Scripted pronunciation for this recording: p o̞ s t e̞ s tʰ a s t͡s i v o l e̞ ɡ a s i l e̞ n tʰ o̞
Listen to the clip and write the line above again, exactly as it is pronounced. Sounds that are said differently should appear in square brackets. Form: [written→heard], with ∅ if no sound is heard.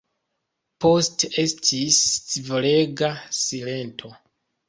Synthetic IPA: p o̞ s t e̞ s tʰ [a→i] s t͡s i v o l e̞ ɡ a s i l e̞ n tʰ o̞

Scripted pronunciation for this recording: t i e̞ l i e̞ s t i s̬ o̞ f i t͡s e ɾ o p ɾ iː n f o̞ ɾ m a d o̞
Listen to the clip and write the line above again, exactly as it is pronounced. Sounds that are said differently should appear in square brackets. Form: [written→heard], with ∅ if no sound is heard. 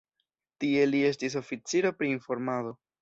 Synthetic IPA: t i e̞ l i e̞ s t i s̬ o̞ f i t͡s [e→i] ɾ o p ɾ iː n f o̞ ɾ m a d o̞

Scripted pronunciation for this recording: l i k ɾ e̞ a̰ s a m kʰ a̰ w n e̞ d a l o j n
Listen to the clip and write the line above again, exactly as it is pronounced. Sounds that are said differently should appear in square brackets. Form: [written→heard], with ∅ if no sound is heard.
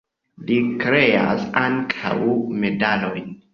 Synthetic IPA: l i k ɾ e̞ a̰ s a [m→ŋ] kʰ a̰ w [n→m] e̞ d a l o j n

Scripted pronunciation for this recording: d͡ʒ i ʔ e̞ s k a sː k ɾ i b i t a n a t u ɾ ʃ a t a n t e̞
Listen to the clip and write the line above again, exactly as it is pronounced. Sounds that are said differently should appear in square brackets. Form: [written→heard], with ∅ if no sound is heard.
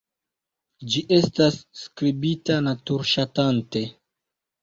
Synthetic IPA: d͡ʒ i ʔ e̞ s [k→t] a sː k ɾ i b i t a n a t u ɾ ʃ a t a n t e̞

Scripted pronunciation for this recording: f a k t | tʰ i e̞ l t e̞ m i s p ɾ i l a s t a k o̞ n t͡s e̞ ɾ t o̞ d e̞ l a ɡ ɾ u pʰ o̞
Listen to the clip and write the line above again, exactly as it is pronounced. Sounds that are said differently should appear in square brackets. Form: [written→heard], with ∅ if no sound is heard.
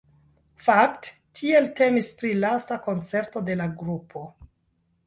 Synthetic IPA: f a k t | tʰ i e̞ l t e̞ m i s p ɾ i l a s t a k o̞ n t͡s e̞ ɾ t o̞ d e̞ l a ɡ ɾ u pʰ o̞

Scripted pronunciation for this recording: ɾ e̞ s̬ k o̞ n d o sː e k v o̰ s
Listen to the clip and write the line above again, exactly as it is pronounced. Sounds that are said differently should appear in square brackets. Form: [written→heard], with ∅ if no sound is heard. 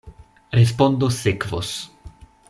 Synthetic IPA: ɾ e̞ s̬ [k→p] o̞ n d o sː e k v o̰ s

